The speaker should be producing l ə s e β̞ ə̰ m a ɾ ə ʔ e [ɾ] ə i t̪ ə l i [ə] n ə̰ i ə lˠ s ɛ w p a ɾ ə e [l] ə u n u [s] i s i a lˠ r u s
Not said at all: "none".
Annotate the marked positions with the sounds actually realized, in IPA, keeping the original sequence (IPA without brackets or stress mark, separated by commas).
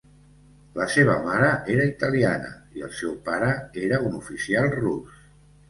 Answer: ɾ, a, ɾ, f